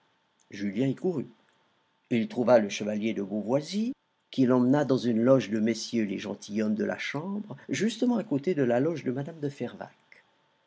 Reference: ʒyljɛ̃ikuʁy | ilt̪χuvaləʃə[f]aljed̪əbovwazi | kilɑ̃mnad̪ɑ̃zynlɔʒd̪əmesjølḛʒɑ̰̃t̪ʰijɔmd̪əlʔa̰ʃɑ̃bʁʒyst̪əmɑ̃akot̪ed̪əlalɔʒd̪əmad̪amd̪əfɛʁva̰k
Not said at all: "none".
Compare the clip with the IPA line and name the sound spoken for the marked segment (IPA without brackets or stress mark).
v